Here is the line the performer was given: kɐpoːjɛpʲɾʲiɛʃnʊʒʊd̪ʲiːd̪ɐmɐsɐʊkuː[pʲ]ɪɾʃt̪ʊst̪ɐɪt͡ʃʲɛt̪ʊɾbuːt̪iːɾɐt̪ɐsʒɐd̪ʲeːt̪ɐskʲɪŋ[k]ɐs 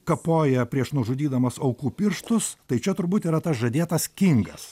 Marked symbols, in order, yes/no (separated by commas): yes, no